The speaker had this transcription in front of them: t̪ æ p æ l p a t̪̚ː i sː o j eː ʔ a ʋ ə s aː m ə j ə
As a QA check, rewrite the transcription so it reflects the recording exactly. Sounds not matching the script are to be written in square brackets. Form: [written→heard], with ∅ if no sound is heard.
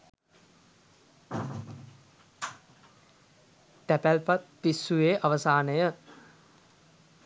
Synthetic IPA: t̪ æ p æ l p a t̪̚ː i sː [o→u] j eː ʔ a ʋ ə s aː [m→n] ə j ə